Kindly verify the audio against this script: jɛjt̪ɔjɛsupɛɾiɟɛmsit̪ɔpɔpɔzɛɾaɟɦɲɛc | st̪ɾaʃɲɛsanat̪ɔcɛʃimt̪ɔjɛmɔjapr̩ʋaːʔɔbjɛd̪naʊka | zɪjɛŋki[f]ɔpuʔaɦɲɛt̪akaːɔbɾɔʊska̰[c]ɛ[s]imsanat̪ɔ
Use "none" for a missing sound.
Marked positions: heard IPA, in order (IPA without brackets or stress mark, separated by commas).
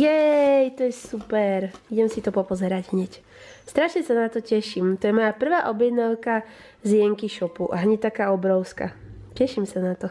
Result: ʃ, c, ʃ